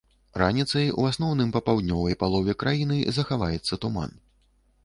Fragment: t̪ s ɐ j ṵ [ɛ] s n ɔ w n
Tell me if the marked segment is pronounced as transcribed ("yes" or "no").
no